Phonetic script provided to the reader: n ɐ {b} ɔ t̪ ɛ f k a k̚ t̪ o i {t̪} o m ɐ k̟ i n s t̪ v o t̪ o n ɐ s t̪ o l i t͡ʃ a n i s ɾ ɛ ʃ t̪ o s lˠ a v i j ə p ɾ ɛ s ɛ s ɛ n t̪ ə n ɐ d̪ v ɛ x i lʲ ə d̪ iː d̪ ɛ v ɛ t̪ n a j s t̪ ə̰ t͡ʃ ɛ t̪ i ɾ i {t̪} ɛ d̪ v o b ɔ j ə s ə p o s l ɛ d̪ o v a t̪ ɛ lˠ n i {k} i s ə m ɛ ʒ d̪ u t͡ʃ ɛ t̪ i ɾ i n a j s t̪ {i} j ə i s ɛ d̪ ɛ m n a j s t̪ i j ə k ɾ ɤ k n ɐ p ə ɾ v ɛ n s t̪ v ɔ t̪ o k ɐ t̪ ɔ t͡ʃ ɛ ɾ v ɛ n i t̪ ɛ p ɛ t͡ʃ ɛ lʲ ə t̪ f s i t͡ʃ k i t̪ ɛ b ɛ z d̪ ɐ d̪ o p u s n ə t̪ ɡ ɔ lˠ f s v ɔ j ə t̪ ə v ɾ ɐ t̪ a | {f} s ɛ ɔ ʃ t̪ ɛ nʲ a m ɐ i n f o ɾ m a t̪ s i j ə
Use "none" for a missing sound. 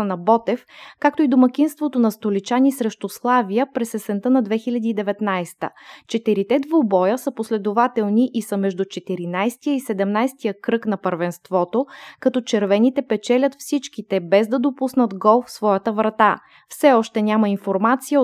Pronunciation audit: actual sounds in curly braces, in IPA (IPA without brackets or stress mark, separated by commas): b, d̪, t̪, ʔ, i, f